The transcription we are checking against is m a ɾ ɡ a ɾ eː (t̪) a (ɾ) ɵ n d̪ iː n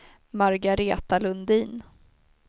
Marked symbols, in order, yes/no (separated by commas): yes, no